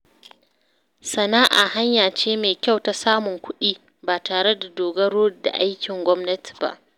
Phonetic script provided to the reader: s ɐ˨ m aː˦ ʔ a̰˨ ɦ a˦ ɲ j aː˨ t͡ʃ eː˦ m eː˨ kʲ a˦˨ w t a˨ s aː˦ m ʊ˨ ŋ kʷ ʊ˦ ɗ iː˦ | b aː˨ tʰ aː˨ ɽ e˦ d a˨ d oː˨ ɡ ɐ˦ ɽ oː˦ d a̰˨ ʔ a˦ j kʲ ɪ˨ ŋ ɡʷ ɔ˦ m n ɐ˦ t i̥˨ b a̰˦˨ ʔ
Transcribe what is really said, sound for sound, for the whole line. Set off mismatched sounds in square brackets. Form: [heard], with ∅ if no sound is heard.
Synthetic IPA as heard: s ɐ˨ [n] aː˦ ʔ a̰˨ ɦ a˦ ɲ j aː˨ t͡ʃ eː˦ m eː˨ kʲ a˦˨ w t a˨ s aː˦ m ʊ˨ ŋ kʷ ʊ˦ ɗ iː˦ | b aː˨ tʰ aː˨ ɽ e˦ d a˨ d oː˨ ɡ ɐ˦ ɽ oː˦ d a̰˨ ʔ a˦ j kʲ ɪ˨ ŋ ɡʷ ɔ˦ m n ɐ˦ t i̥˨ b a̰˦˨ ʔ